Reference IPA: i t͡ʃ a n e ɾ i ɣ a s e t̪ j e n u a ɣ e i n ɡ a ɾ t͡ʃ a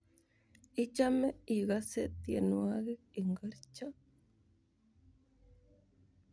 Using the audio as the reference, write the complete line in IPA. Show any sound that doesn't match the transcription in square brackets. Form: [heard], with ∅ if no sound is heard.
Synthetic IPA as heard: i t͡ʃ a [m] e [∅] i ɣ a s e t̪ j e n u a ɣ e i [ŋ] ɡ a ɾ t͡ʃ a